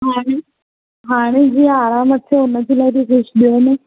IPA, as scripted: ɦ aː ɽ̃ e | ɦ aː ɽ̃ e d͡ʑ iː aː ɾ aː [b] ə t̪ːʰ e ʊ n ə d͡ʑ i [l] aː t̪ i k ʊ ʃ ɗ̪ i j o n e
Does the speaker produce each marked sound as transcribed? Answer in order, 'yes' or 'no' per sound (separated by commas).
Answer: no, yes